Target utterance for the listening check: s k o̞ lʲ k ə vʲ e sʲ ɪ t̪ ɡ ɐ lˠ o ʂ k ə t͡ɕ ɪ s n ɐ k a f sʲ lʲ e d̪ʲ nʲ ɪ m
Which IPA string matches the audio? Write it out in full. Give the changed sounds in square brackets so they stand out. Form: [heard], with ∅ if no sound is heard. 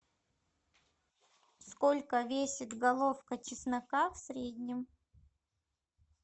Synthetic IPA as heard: s k o̞ lʲ k ə vʲ e sʲ ɪ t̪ ɡ ɐ lˠ o [f] k ə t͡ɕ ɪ s n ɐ k a f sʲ [ɾʲ] e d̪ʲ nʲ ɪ m